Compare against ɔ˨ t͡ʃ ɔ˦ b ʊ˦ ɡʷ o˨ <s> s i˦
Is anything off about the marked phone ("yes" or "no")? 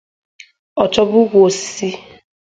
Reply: no